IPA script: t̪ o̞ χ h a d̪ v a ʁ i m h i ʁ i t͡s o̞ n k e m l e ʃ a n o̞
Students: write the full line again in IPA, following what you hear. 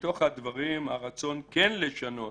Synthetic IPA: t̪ o̞ χ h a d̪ v a ʁ i m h a ʁ a t͡s o̞ n k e n l e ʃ a n o̞